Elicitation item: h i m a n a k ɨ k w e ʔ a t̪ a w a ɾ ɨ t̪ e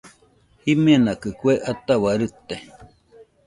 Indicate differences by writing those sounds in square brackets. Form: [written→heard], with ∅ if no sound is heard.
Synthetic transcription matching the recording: h i m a n a k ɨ k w e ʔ a t̪ a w a ɾ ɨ t̪ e